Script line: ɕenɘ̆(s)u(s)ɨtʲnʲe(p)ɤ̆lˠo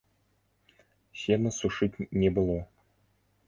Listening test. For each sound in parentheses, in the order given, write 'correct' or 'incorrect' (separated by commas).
correct, incorrect, incorrect